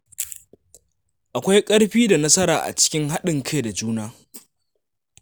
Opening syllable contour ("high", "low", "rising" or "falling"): low